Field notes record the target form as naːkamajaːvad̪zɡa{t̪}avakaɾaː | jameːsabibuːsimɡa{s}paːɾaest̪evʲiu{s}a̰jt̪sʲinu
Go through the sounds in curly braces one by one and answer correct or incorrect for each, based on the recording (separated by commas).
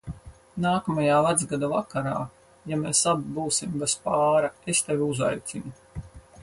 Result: incorrect, correct, incorrect